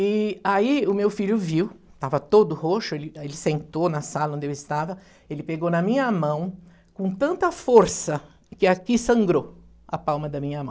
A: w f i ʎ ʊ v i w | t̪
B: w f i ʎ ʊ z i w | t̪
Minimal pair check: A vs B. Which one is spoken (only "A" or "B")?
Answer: A